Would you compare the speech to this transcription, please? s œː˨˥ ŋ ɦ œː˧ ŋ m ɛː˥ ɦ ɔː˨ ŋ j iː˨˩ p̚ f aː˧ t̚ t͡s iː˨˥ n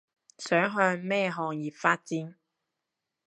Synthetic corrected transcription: s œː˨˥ ŋ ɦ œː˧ ŋ m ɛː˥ ɦ ɔː˨ ŋ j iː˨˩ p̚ f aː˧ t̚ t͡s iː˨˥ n

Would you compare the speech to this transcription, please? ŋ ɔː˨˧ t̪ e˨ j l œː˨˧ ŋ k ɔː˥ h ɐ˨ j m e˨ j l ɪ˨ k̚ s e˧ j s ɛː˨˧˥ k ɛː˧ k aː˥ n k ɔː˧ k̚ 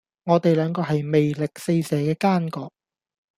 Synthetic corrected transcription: ŋ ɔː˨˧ t̪ e˨ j l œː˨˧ ŋ k ɔː˧ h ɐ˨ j m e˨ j l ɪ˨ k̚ s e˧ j s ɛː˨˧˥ k ɛː˧ k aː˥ n k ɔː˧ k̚

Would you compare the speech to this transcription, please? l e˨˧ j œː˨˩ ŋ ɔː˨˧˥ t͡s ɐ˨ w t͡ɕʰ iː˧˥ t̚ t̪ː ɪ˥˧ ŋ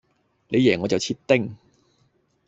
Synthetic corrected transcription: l e˨˧ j ɛː˨˩ ŋ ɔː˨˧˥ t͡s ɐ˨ w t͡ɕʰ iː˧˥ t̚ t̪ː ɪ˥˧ ŋ

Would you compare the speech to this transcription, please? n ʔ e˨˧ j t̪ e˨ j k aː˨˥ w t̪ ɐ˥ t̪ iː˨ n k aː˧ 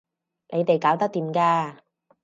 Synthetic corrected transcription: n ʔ e˨˧ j t̪ e˨ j k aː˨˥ w t̪ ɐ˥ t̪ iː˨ m k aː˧

